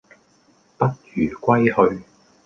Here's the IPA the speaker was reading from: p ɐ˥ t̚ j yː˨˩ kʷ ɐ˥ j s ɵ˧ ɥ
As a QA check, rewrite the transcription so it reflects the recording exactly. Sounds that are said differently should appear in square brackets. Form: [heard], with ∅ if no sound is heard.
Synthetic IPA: p ɐ˥ t̚ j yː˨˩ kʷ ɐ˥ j [h] ɵ˧ ɥ